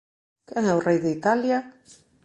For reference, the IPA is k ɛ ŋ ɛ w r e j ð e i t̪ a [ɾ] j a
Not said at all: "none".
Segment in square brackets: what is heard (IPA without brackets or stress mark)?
l